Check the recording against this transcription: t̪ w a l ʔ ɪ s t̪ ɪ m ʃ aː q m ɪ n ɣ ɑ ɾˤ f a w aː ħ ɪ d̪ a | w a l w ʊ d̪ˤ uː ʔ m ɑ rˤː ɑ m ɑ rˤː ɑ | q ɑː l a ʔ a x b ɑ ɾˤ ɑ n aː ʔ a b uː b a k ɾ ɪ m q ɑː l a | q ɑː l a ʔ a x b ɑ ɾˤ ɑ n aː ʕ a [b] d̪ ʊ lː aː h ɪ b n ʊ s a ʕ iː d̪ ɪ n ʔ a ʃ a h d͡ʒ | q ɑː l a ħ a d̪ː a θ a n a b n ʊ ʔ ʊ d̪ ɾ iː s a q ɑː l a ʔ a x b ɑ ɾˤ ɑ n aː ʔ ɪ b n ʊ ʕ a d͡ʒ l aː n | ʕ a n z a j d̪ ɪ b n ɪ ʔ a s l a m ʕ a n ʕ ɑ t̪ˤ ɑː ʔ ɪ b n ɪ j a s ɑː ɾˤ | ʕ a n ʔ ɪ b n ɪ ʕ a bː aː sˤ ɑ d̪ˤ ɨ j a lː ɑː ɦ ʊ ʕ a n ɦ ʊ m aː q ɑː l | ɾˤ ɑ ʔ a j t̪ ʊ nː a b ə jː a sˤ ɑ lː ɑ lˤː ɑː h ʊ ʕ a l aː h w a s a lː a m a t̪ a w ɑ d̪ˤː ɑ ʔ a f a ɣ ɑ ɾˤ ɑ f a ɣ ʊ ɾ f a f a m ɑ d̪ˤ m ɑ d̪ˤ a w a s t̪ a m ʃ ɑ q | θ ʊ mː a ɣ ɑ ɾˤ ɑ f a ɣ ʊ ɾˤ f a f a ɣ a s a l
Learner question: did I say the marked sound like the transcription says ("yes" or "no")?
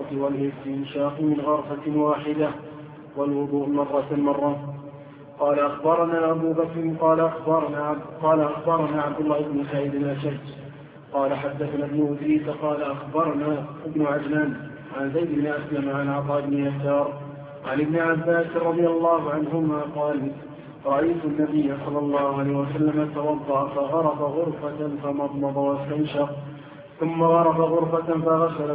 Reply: yes